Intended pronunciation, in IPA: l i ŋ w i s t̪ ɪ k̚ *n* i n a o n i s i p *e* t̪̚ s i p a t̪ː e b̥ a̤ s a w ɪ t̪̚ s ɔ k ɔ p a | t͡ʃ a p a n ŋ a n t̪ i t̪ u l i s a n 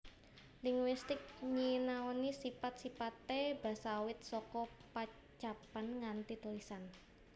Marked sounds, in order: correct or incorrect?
incorrect, incorrect

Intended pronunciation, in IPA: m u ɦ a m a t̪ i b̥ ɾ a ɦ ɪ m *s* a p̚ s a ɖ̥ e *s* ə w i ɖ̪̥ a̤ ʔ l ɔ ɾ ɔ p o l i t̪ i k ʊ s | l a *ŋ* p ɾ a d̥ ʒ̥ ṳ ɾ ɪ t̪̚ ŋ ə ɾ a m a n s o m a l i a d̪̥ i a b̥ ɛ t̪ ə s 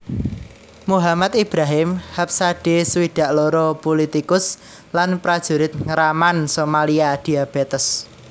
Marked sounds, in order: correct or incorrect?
incorrect, correct, incorrect

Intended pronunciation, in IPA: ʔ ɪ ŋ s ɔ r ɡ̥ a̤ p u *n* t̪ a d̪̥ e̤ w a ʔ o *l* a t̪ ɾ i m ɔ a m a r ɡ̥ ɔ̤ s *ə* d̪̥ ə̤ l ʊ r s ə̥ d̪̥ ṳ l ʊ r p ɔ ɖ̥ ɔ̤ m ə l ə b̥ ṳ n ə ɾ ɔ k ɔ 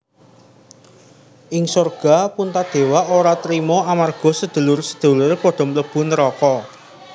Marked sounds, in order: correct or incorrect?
correct, incorrect, correct

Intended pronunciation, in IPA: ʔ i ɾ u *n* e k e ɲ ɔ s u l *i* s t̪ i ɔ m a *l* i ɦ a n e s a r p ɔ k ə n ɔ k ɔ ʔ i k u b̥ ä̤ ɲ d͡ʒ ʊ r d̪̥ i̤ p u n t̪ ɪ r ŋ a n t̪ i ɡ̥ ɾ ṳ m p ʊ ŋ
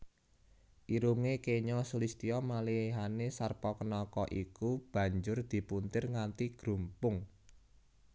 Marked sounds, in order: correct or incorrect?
incorrect, correct, correct

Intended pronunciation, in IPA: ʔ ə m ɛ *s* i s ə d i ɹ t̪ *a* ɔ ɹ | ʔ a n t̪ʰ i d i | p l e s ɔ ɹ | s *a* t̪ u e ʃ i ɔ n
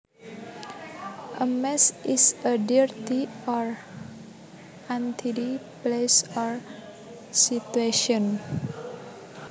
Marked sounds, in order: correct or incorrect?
correct, incorrect, incorrect

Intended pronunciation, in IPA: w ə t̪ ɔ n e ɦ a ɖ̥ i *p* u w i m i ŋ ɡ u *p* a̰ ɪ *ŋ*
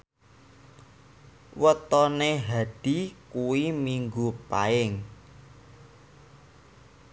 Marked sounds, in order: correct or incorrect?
incorrect, correct, correct

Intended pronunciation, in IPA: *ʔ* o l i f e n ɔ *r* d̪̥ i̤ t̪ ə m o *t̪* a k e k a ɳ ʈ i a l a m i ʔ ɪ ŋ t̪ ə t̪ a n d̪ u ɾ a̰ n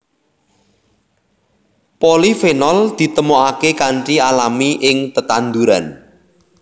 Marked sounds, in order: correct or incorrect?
incorrect, incorrect, incorrect

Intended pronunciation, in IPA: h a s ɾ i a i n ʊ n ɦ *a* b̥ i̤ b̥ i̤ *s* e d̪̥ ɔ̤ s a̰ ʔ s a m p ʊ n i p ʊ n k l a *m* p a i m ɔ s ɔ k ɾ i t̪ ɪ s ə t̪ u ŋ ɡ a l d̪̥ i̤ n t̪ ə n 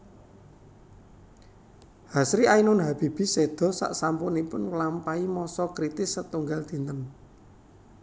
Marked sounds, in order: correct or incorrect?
correct, correct, correct

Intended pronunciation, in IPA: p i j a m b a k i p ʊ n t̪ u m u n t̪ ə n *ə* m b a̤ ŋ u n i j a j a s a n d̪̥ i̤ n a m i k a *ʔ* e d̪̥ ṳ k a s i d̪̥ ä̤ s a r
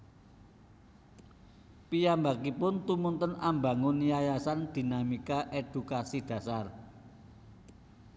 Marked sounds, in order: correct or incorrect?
incorrect, correct

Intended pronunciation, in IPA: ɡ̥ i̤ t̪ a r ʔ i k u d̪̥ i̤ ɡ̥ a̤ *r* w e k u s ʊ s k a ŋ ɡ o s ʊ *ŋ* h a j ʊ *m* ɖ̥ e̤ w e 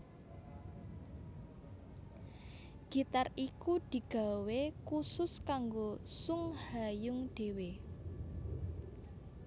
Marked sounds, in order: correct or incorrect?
incorrect, correct, incorrect

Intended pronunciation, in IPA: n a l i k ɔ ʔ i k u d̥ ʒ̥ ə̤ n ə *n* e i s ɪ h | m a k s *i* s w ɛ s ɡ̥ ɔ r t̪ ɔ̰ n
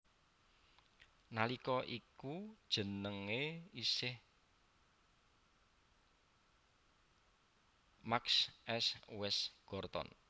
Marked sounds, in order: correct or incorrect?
incorrect, incorrect

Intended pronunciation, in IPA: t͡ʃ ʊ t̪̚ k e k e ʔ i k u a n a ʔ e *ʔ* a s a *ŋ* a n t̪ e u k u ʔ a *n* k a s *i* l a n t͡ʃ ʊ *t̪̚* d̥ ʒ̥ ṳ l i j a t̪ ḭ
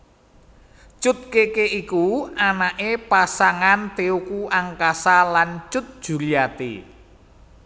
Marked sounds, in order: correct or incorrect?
incorrect, correct, incorrect, incorrect, correct

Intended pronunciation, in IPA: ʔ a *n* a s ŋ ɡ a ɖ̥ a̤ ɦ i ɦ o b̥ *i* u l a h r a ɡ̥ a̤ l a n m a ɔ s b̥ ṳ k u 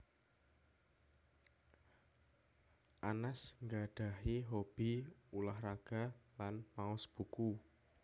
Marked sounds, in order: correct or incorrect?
correct, correct

